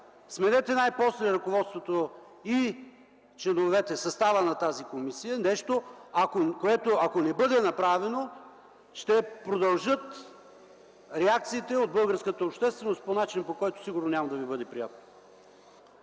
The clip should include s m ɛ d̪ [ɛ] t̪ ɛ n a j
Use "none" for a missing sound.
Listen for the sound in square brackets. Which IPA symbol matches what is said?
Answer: ɛ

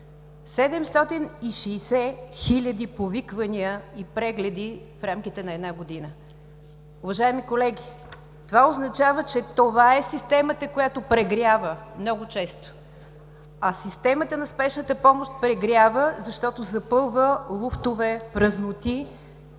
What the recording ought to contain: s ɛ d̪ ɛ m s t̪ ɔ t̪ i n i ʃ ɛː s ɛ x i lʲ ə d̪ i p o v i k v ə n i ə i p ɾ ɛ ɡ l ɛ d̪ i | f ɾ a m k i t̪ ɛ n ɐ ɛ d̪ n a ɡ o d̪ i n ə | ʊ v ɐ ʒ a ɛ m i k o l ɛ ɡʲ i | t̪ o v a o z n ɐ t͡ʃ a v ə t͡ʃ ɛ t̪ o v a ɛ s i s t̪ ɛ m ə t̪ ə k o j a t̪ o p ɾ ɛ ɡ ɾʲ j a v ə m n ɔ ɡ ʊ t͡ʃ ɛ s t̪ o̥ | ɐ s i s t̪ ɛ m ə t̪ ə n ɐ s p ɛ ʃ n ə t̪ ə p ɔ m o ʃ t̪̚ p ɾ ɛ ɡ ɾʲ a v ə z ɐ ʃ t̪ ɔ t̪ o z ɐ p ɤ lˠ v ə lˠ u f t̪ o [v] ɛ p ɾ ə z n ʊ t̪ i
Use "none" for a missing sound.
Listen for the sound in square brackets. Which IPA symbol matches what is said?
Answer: v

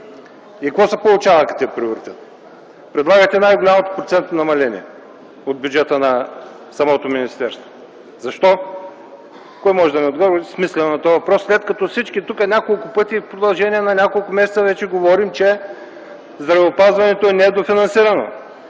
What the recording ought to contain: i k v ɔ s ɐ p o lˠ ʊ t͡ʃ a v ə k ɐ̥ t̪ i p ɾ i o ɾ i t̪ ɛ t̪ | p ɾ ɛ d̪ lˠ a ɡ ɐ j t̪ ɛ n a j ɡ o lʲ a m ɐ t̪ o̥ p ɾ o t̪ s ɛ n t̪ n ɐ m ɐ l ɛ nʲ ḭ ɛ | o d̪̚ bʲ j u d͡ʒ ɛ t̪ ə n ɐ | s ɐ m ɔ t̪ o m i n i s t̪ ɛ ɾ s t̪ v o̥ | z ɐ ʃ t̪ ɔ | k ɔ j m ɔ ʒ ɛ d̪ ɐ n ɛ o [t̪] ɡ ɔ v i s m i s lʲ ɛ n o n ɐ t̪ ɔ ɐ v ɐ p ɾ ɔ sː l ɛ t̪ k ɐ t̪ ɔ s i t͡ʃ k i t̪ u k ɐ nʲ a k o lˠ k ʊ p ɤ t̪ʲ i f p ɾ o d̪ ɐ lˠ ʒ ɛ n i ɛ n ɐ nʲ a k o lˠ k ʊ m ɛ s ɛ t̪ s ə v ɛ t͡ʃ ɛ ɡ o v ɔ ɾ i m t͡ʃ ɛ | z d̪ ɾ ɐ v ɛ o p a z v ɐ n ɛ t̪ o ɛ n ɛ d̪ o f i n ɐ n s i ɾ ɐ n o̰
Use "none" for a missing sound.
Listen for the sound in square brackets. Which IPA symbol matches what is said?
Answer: d̪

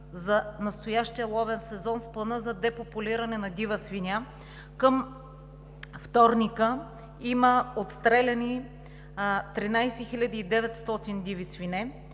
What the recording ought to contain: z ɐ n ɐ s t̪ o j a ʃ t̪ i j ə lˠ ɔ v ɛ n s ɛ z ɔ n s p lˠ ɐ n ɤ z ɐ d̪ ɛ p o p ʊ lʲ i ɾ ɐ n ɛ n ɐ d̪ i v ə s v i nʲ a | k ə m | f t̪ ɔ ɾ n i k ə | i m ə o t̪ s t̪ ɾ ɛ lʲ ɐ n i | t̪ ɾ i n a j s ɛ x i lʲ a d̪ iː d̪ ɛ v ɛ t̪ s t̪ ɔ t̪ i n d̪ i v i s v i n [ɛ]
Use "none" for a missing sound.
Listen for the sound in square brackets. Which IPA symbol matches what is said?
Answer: ɛ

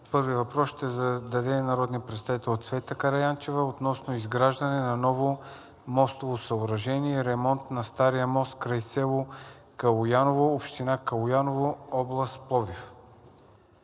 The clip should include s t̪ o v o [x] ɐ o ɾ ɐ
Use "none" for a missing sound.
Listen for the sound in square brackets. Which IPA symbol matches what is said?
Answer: s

